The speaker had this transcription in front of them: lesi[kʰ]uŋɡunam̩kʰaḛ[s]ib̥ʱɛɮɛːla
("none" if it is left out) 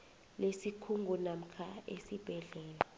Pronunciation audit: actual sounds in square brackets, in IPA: kʰ, s

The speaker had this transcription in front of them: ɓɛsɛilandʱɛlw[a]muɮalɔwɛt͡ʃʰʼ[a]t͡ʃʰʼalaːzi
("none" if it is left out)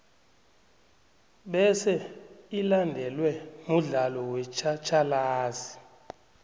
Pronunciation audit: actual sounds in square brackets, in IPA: ɛ, a

